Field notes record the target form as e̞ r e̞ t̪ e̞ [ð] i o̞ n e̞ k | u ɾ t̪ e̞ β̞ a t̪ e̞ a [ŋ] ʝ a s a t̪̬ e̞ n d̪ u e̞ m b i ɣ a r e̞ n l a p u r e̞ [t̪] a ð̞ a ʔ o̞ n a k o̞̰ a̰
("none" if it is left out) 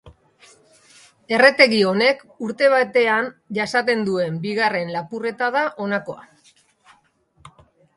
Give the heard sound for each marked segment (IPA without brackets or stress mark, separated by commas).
ɣ, n, t̪